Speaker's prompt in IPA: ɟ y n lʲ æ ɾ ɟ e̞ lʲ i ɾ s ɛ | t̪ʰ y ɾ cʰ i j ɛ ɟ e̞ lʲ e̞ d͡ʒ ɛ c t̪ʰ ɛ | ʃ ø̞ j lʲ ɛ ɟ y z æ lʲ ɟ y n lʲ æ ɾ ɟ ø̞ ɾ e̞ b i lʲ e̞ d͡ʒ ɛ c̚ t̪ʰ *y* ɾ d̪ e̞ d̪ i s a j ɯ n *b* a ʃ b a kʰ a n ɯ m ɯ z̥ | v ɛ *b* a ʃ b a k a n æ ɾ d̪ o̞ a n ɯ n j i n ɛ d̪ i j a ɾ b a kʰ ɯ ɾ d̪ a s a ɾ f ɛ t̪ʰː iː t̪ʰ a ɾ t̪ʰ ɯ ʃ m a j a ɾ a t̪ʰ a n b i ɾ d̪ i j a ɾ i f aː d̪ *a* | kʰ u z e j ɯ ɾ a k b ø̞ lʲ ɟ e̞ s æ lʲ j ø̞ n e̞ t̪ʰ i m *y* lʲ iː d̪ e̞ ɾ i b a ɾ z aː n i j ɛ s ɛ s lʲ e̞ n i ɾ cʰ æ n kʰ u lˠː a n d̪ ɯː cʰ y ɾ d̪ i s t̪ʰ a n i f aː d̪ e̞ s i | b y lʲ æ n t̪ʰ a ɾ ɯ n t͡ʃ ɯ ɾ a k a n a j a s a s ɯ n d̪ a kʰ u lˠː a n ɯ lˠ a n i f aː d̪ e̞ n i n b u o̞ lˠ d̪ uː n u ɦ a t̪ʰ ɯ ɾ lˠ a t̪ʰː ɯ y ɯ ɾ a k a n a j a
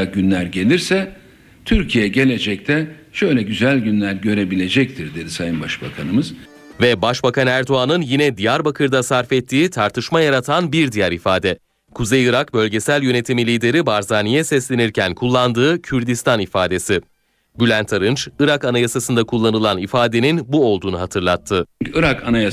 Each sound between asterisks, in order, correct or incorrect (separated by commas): incorrect, correct, correct, incorrect, incorrect